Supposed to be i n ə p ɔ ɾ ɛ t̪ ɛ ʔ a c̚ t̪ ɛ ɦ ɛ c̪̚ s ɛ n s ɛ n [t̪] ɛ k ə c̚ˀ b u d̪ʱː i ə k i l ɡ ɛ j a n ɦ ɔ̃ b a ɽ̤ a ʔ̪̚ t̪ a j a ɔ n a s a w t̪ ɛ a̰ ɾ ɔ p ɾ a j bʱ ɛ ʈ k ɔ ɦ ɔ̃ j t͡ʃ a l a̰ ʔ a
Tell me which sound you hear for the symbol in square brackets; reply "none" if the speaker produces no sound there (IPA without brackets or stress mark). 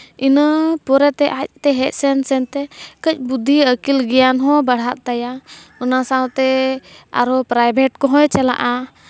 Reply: t̪